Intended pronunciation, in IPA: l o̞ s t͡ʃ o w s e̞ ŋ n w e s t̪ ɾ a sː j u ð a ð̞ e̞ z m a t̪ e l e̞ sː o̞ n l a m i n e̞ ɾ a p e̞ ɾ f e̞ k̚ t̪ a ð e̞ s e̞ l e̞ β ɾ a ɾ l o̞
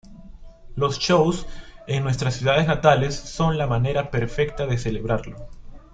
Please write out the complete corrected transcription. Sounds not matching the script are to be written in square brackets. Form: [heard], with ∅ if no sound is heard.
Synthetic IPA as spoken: l o̞ s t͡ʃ o w s e̞ ŋ n w e s t̪ ɾ a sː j u ð a ð̞ e̞ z [n] a t̪ [a] l e̞ sː o̞ n l a m [a] n e̞ ɾ a p e̞ ɾ f e̞ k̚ t̪ a ð e̞ s e̞ l e̞ β ɾ a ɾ l o̞

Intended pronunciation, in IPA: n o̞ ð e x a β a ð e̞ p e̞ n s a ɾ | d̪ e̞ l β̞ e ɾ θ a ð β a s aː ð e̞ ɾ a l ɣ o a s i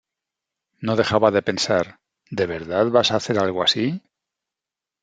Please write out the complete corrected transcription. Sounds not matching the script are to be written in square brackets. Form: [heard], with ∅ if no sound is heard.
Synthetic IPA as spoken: n o̞ ð e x a β a ð e̞ p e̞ n s a ɾ | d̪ e̞ [∅] β̞ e ɾ [ð] a ð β a s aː [θ] e̞ ɾ a l ɣ o a s i

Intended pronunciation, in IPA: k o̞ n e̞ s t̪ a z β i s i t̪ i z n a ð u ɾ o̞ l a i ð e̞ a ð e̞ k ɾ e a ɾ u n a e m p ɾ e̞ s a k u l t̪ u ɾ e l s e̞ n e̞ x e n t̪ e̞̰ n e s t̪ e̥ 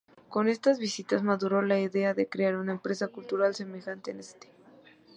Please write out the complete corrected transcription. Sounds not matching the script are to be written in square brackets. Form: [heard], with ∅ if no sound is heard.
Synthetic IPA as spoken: k o̞ n e̞ s t̪ a z β i s i t̪ [a] z [m] a ð u ɾ o̞ l a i ð e̞ a ð e̞ k ɾ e a ɾ u n a e m p ɾ e̞ s a k u l t̪ u ɾ [a] l s e̞ [m] e̞ x [a] n t̪ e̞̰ n e s t̪ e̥

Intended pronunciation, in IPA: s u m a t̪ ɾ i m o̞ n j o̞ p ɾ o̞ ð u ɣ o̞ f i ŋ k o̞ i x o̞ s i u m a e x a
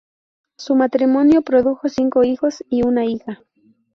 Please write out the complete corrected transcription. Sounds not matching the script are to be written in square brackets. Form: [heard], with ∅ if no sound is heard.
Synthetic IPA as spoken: s u m a t̪ ɾ i m o̞ n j o̞ p ɾ o̞ ð u [x] o̞ [s] i ŋ k o̞ i x o̞ s i u [n] a [i] x a

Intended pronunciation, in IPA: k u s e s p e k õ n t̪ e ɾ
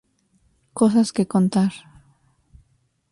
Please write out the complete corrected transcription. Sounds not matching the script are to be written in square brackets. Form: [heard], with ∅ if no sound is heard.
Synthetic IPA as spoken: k [o] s [a] s [k] e k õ n t̪ [a] ɾ

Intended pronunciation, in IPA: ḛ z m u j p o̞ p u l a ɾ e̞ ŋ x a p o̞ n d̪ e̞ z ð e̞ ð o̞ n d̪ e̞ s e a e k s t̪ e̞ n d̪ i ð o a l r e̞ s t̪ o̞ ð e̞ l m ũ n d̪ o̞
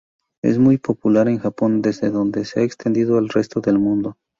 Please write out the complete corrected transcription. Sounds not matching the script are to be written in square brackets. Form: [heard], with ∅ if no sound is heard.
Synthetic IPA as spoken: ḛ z m u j p o̞ p u l a ɾ e̞ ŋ x a p o̞ n d̪ e̞ z ð e̞ ð o̞ n d̪ e̞ s e a e k s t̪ e̞ n d̪ i ð o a l r e̞ s t̪ o̞ ð e̞ l m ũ n d̪ o̞

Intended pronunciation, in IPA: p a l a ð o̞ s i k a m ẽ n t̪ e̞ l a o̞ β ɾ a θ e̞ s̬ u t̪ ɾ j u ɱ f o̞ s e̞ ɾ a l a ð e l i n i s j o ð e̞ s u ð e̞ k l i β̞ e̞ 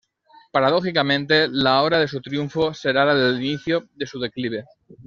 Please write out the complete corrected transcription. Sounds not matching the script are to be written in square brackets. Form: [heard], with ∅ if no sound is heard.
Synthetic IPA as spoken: p a [ɾ] a ð o̞ [x] i k a m ẽ n t̪ e̞ l a o̞ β ɾ a [ð] e̞ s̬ u t̪ ɾ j u ɱ f o̞ s e̞ ɾ a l a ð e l i n i [θ] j o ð e̞ s u ð e̞ k l i β̞ e̞

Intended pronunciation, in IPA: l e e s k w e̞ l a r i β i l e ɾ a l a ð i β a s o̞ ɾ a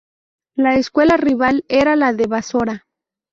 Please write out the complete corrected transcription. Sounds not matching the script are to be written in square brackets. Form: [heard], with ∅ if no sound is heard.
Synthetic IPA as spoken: l [a] e s k w e̞ l a r i β [a] l e ɾ a l a ð [e] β a s o̞ ɾ a

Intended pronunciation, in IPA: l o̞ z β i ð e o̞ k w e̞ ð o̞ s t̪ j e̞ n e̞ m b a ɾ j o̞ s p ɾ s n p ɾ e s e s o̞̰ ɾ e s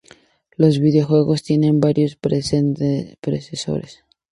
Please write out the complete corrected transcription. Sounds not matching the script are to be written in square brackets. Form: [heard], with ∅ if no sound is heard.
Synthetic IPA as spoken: l o̞ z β i ð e o̞ [x] w e̞ [ɣ] o̞ s t̪ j e̞ n e̞ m b a ɾ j o̞ s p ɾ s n p ɾ e s e s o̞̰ ɾ e s

